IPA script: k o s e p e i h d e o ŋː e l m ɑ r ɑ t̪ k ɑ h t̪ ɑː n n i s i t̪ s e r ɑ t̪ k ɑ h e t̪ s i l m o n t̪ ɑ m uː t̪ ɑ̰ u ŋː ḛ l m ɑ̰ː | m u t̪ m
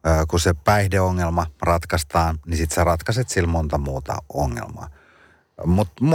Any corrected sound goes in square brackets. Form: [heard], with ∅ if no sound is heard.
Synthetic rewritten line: k [u] s e p [æ] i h d e o ŋː e l m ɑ r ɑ t̪ k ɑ [s] t̪ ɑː n n i s i t̪ s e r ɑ t̪ k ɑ [s] e t̪ s i l m o n t̪ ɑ m uː t̪ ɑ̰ [o] ŋː ḛ l m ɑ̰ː | m u t̪ m